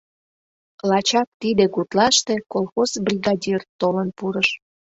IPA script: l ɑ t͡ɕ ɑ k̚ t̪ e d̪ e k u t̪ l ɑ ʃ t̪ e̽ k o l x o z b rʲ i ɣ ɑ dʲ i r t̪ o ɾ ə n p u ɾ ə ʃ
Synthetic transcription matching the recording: l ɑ t͡ɕ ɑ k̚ t̪ i d̪ e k u t̪ l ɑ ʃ t̪ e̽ k o l x o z b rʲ i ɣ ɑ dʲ i r t̪ o l ə n p u ɾ ə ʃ